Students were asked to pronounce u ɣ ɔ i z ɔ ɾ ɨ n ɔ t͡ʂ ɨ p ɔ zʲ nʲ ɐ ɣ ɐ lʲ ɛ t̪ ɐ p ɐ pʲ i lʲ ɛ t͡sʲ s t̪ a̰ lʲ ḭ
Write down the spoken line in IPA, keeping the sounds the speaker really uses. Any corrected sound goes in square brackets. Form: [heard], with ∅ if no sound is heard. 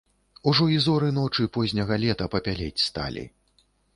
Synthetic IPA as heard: u [ʐ] ɔ i z ɔ ɾ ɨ n ɔ t͡ʂ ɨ p ɔ zʲ nʲ ɐ ɣ ɐ lʲ ɛ t̪ ɐ p ɐ pʲ [a] lʲ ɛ t͡sʲ s t̪ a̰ lʲ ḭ

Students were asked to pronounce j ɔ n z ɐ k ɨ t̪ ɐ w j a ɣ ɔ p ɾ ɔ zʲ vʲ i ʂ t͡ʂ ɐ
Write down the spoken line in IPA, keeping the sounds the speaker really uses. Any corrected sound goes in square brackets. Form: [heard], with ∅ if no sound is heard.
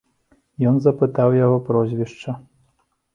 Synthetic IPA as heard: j ɔ n z ɐ [p] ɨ t̪ [a] w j a ɣ ɔ p ɾ ɔ zʲ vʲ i ʂ t͡ʂ ɐ

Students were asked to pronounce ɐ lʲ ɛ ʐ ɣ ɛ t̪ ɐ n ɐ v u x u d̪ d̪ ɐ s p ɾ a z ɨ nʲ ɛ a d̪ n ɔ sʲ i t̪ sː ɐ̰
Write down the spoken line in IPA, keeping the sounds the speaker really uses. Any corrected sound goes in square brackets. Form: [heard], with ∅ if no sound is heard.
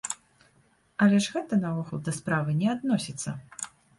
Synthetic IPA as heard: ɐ lʲ ɛ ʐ ɣ ɛ t̪ ɐ n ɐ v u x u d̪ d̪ ɐ s p ɾ a [v] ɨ nʲ ɛ a d̪ n ɔ sʲ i t̪ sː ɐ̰

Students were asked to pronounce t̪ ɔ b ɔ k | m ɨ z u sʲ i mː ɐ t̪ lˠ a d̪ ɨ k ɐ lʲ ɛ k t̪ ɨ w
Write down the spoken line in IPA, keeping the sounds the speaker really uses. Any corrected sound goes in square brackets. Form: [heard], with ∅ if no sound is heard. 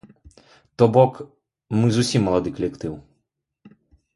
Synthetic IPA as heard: t̪ ɔ b ɔ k | m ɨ z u sʲ i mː ɐ [∅] lˠ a d̪ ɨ k ɐ lʲ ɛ k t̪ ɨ w

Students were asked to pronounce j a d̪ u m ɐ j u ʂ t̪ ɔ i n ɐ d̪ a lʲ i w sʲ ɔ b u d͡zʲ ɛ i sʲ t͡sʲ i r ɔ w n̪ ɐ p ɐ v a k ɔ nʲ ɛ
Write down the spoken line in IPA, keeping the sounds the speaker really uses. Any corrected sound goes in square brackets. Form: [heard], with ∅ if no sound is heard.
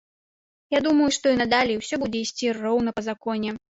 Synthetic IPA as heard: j a d̪ u m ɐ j u ʂ t̪ ɔ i n ɐ d̪ a lʲ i w sʲ ɔ b u d͡zʲ ɛ i sʲ t͡sʲ i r ɔ w n̪ ɐ p ɐ [z] a k ɔ nʲ ɛ

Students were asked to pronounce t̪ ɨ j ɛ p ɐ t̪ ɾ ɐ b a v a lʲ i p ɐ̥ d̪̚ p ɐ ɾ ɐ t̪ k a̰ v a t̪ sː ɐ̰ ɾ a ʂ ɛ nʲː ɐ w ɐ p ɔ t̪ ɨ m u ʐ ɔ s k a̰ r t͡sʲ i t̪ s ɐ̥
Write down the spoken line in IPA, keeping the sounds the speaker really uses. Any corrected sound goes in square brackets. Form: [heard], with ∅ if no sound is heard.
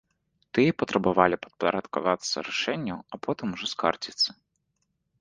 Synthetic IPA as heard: t̪ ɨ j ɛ p ɐ t̪ ɾ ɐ b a v a lʲ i p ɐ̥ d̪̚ p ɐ ɾ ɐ t̪ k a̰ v a t̪ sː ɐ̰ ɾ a ʂ ɛ nʲː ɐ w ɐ p ɔ t̪ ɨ m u ʐ ɔ s k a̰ r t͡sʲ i t̪ s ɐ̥

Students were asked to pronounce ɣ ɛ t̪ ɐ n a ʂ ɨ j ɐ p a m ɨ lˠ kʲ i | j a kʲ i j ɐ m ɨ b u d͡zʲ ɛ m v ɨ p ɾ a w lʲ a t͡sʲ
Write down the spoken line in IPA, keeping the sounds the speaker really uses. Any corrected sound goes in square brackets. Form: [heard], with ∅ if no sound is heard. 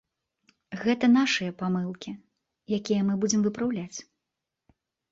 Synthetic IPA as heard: ɣ ɛ t̪ ɐ n a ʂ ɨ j ɐ p a m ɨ lˠ kʲ i | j a kʲ i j ɐ m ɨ b u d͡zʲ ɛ m v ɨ p ɾ a w lʲ a t͡sʲ

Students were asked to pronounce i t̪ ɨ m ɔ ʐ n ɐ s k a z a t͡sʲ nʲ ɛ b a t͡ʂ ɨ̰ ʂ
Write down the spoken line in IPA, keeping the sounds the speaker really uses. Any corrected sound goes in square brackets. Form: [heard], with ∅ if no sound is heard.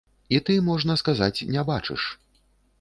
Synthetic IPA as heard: i t̪ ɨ m ɔ ʐ n ɐ s k a z a t͡sʲ nʲ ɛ b a t͡ʂ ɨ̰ ʂ

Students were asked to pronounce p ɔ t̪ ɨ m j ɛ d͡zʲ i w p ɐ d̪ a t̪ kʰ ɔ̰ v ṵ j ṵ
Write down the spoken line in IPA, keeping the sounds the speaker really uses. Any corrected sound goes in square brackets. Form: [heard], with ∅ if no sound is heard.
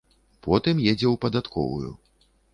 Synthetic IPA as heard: p ɔ t̪ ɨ m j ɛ d͡zʲ [ɛ] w p ɐ d̪ a t̪ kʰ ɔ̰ v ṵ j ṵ

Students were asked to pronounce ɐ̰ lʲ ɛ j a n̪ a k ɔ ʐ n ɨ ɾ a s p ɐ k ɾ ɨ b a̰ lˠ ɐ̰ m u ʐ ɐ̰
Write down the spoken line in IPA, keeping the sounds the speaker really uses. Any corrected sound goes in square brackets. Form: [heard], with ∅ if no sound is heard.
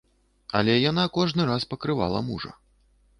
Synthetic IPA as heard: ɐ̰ lʲ ɛ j a n̪ a k ɔ ʐ n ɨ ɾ a s p ɐ k ɾ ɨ [v] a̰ lˠ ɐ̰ m u ʐ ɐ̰

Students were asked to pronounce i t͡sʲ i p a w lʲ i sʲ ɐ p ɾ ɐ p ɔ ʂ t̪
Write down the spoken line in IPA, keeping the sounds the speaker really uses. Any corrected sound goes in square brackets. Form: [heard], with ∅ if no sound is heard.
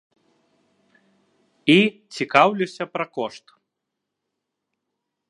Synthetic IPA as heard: i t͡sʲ i [k] a w lʲ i sʲ ɐ p ɾ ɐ [k] ɔ ʂ t̪

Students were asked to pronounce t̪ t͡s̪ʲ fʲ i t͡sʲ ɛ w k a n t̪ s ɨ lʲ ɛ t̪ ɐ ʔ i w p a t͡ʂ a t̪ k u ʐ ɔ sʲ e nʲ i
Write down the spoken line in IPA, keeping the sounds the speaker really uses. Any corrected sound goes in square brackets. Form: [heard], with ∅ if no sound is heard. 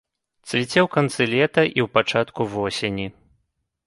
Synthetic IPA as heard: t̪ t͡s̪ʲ [vʲ] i t͡sʲ ɛ w k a n t̪ s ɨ lʲ ɛ t̪ ɐ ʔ i w p a t͡ʂ a t̪ k u [v] ɔ sʲ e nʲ i

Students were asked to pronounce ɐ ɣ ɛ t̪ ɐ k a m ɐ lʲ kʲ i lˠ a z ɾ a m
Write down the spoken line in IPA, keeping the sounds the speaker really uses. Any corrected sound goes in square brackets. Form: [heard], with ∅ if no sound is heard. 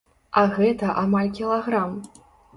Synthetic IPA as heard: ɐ ɣ ɛ t̪ ɐ [ʔ] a m [a] lʲ kʲ i lˠ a [ɣ] ɾ a m

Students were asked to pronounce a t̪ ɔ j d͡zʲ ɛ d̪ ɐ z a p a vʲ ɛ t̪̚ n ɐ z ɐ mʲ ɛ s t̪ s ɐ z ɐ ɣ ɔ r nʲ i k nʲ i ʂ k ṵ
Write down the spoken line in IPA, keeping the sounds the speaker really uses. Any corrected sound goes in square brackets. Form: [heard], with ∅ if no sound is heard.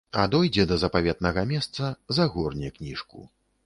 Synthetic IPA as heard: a [d̪] ɔ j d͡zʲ ɛ d̪ ɐ z [ɐ] p a vʲ ɛ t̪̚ n ɐ [ɣ] ɐ mʲ ɛ s t̪ s ɐ z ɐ ɣ ɔ r nʲ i k nʲ i ʂ k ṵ

